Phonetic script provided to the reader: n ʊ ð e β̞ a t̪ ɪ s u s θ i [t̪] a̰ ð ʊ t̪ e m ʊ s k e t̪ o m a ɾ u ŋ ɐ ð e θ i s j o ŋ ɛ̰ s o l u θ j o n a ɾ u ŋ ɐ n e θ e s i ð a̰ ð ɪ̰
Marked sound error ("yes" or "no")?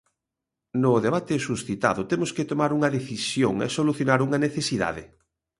no